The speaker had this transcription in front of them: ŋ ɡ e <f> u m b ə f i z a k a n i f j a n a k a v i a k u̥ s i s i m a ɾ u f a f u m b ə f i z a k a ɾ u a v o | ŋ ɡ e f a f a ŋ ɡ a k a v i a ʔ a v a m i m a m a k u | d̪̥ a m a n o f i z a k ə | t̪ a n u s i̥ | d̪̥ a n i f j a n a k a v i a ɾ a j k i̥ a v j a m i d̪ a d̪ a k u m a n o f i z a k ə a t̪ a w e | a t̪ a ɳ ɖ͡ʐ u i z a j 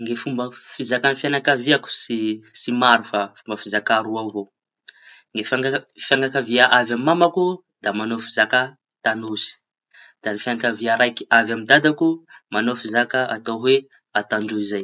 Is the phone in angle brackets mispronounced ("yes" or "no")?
no